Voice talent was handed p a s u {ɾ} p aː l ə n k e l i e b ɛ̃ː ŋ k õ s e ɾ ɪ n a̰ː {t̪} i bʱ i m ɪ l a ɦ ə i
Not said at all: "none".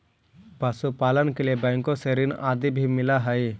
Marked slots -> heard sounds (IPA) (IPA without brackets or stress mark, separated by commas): none, d̪